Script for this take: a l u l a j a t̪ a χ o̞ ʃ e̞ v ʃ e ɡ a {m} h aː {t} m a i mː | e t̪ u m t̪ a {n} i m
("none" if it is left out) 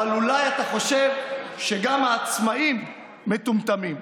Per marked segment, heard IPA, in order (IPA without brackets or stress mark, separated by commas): m, t͡s, m